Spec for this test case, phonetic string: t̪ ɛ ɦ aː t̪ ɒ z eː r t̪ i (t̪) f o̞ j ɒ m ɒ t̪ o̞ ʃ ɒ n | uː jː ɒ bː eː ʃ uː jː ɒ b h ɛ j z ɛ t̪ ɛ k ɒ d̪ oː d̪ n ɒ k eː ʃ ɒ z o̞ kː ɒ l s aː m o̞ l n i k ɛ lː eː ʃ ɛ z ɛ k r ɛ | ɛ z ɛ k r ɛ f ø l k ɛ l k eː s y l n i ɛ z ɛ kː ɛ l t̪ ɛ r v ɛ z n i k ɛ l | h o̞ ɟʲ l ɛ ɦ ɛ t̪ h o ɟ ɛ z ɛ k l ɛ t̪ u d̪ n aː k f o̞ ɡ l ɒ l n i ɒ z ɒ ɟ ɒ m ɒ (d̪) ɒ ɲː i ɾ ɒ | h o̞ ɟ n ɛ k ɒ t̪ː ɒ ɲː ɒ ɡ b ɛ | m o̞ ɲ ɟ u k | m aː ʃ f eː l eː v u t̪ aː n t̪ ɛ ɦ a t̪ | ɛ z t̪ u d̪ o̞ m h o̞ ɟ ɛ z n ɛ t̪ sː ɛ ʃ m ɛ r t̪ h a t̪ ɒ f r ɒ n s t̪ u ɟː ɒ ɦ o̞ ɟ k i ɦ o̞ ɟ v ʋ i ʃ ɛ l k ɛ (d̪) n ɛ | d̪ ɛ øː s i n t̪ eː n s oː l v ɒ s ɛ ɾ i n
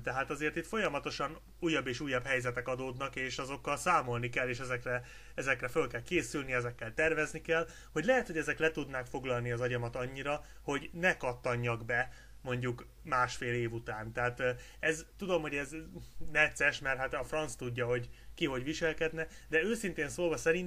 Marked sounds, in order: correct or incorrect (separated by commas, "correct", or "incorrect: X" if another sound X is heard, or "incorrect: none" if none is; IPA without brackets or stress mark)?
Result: correct, incorrect: t̪, correct